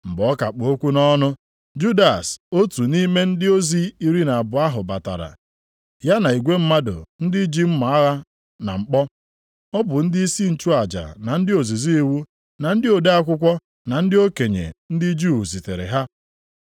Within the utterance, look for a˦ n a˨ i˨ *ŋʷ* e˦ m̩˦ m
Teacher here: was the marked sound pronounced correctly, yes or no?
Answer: no